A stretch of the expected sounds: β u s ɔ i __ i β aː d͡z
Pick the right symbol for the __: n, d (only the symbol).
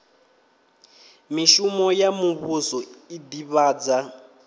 d